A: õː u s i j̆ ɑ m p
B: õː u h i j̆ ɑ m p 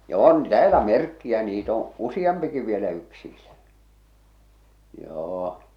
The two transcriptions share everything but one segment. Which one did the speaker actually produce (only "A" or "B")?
A